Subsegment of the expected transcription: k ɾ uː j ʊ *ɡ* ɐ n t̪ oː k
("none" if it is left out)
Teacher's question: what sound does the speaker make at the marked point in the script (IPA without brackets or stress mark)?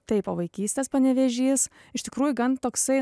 ɡ